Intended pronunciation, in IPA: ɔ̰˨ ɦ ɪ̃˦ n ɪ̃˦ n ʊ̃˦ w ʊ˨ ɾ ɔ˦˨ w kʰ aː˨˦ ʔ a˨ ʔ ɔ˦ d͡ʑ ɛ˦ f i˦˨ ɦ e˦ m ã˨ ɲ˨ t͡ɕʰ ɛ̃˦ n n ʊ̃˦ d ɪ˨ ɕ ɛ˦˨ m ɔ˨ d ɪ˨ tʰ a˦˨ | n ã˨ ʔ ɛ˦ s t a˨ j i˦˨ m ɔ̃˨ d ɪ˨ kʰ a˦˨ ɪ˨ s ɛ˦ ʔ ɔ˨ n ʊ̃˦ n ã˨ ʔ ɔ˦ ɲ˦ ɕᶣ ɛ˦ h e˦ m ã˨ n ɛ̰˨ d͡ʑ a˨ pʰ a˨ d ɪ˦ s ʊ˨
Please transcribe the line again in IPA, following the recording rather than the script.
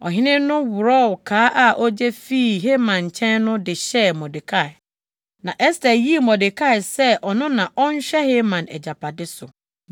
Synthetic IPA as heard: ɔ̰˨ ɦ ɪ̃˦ n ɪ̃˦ n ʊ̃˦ w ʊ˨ ɾ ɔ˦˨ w kʰ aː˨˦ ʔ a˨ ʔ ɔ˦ d͡ʑ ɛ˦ f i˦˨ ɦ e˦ m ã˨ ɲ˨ t͡ɕʰ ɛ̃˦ n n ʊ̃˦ d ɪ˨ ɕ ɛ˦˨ m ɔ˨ d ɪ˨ kʰ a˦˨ | n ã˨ ʔ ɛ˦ s t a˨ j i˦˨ m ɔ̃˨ d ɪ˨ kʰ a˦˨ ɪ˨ s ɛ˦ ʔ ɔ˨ n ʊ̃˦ n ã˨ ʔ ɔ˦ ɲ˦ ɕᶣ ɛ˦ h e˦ m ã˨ n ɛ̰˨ d͡ʑ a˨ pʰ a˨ d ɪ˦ s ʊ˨

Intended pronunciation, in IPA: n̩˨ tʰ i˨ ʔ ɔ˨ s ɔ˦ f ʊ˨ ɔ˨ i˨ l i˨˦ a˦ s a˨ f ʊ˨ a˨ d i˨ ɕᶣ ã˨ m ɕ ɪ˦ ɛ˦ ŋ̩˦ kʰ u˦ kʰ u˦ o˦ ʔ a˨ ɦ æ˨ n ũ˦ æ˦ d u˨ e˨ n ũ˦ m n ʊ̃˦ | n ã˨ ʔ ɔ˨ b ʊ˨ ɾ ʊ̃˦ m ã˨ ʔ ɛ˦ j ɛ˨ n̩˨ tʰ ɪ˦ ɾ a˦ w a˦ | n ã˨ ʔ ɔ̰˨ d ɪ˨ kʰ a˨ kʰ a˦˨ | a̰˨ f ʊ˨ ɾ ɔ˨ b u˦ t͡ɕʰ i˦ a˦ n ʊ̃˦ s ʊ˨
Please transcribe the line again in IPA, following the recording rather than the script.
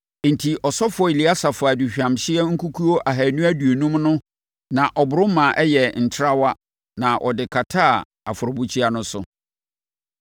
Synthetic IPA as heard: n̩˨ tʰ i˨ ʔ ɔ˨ s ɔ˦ f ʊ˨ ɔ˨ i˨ l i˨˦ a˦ s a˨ f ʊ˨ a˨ d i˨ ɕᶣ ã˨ m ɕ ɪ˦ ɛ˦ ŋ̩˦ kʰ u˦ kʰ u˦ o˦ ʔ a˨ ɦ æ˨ n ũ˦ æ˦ d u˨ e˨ n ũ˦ m n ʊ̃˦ | n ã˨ ʔ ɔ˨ b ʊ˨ ɾ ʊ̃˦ m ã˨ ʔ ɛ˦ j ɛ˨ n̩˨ tʰ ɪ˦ ɾ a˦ w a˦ | n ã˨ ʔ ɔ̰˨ d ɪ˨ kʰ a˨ tʰ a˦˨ | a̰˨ f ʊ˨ ɾ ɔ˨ b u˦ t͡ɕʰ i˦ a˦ n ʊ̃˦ s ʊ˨

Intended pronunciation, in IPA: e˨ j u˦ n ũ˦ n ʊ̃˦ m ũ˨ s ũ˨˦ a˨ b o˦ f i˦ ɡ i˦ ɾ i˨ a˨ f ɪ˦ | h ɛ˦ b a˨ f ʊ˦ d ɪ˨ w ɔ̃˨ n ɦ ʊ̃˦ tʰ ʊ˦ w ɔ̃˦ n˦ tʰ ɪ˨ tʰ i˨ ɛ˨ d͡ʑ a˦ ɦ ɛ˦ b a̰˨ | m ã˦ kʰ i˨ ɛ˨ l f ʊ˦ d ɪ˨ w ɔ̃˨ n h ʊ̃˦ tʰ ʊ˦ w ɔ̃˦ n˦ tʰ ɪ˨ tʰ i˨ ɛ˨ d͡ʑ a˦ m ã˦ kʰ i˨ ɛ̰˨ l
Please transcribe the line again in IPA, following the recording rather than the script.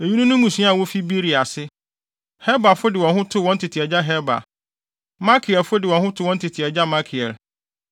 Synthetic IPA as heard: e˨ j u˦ n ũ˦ n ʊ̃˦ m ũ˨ s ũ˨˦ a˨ w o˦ f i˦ b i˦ ɾ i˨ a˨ s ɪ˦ | h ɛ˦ b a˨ f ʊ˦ d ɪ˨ w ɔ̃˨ n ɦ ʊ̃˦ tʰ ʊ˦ w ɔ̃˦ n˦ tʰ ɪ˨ tʰ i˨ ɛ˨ d͡ʑ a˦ ɦ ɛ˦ b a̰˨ | m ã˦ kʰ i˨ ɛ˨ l f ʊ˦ d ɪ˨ w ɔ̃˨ n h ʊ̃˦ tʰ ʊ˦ w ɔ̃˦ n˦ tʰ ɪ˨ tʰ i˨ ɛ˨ d͡ʑ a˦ m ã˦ kʰ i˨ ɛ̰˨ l

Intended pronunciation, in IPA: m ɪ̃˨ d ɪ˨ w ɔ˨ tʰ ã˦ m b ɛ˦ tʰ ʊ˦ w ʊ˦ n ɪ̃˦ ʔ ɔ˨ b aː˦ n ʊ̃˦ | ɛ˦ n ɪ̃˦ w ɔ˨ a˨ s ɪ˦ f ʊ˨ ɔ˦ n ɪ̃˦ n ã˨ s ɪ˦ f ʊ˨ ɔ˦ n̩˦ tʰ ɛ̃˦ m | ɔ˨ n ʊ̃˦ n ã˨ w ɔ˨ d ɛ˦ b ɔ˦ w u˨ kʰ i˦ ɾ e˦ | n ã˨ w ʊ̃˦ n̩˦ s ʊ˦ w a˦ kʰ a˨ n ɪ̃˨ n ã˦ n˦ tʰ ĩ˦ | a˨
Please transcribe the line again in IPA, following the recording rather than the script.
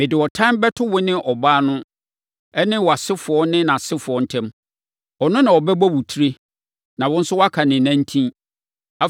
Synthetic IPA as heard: m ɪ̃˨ d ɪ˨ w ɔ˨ tʰ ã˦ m b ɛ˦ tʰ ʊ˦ w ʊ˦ n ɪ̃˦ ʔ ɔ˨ b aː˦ n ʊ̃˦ | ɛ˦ n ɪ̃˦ w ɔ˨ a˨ s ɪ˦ f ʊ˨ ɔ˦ n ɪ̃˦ n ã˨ s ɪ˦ f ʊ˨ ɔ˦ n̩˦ tʰ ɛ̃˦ m | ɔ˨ n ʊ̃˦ n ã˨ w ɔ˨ b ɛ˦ b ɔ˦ w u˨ tʰ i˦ ɾ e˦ | n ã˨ w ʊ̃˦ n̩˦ s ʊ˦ w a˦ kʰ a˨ n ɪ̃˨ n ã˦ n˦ tʰ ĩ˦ | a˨

